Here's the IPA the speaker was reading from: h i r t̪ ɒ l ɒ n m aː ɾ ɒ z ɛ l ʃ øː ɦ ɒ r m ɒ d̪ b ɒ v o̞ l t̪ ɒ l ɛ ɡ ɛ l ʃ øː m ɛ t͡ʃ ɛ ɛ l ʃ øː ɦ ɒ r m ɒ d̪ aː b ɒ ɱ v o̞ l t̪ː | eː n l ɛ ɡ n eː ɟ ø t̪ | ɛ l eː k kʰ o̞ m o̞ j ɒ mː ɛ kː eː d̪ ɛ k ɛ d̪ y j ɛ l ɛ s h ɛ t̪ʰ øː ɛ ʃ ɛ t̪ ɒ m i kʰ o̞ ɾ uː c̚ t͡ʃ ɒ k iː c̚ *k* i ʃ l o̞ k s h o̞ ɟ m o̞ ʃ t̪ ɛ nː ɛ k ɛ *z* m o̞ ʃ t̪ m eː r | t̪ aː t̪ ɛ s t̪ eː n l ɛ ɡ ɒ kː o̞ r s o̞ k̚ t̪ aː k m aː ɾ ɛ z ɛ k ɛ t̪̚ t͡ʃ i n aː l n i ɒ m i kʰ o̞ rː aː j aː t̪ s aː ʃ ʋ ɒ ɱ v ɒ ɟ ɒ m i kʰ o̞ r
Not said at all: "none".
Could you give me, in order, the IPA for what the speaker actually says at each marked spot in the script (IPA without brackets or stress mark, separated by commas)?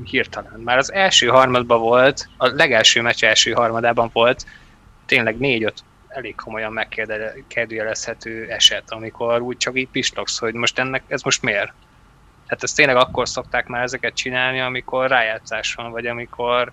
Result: p, z